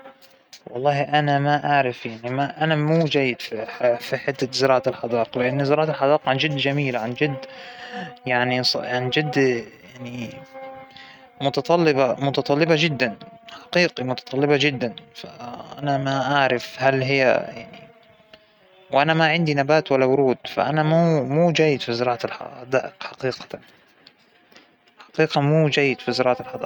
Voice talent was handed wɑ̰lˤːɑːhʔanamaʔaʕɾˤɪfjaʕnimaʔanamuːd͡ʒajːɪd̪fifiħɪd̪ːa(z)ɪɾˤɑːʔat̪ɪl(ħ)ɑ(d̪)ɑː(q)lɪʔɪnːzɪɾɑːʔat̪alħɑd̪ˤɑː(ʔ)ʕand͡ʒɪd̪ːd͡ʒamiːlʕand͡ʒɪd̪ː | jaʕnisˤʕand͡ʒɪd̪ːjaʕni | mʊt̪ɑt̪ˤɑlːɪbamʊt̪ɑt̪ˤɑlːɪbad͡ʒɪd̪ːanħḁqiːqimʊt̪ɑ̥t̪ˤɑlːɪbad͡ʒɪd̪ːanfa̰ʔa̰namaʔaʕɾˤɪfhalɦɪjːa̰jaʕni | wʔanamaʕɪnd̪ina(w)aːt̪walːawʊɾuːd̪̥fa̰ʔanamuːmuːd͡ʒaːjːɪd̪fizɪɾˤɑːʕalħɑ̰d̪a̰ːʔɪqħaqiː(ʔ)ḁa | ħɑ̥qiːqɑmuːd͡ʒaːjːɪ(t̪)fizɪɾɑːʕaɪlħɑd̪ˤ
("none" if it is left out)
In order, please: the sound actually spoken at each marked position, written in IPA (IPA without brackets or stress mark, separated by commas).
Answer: z, ħ, d̪, q, q, b, q, d̪